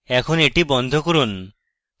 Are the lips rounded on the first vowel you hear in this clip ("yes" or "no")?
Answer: no